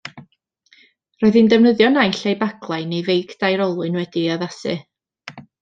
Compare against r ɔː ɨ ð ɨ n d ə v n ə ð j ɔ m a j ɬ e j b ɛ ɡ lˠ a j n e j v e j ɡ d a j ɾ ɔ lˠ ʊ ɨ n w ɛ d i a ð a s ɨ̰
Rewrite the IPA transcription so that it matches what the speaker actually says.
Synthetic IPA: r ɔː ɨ ð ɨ n d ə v n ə ð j ɔ n a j ɬ e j b a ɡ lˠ a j n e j v e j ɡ d a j ɾ ɔ lˠ ʊ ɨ n w ɛ d i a ð a s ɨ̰